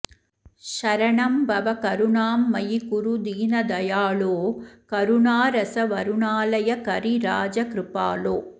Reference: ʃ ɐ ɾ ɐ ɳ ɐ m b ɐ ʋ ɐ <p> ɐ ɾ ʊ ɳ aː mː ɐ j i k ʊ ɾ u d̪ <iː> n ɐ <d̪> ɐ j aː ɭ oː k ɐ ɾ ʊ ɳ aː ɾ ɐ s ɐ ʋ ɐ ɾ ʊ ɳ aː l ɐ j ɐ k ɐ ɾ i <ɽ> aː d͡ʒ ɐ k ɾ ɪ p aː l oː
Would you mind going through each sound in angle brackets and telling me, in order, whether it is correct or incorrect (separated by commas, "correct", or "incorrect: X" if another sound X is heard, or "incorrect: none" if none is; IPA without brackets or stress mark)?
incorrect: k, correct, correct, incorrect: ɾ